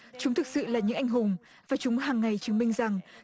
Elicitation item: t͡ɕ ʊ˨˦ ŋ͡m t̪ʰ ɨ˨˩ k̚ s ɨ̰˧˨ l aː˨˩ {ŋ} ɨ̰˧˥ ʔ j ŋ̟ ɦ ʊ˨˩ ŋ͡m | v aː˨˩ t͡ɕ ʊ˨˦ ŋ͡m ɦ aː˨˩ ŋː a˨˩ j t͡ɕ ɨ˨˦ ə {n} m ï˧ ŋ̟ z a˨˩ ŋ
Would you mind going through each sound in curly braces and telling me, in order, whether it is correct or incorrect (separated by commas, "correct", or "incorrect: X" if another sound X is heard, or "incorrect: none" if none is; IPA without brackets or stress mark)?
incorrect: ɲ, incorrect: ŋ